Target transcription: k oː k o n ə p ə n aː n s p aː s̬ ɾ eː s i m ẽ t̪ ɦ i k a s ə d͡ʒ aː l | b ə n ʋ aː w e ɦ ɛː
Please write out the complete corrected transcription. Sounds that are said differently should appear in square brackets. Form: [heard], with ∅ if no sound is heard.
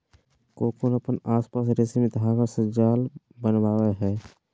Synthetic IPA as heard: k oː k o n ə p ə n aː [∅] s p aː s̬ ɾ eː s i m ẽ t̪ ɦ [a] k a s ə d͡ʒ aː l | b ə n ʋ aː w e ɦ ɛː